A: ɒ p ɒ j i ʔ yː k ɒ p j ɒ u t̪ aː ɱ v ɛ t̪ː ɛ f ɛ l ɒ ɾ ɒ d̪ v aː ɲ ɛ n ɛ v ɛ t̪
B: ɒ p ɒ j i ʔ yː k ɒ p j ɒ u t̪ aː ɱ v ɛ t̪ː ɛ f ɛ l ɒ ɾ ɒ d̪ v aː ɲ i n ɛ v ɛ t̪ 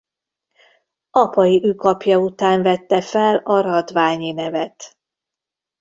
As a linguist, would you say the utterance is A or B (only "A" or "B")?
B